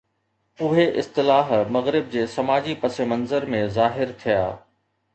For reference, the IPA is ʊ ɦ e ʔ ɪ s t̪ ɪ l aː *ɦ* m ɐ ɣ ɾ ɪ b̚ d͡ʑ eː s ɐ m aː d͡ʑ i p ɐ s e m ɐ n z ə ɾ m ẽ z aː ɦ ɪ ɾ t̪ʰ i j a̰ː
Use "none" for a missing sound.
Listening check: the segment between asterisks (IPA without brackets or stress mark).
ɦ